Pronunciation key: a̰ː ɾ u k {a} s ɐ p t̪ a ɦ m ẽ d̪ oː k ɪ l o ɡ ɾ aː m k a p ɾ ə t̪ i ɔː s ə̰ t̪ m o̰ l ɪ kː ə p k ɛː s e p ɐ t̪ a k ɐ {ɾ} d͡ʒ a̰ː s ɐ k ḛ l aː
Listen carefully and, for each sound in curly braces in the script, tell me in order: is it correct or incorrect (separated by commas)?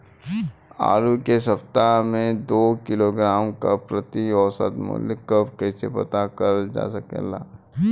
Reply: incorrect, correct